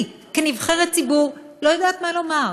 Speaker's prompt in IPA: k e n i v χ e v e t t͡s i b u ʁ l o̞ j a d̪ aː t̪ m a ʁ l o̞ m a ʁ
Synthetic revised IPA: k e n i v χ e ʁ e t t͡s i b u ʁ l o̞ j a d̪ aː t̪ m a l o̞ m a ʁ